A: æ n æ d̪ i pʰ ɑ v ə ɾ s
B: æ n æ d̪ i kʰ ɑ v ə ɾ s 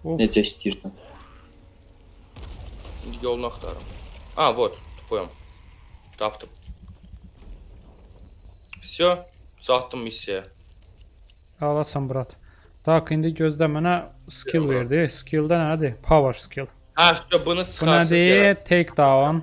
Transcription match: A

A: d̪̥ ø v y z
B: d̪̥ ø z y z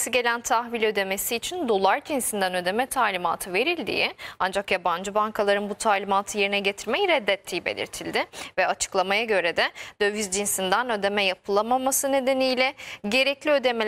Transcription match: A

